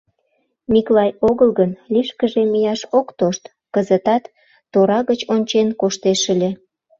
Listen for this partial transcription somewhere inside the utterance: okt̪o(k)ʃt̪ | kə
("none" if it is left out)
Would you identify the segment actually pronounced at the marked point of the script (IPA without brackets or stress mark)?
none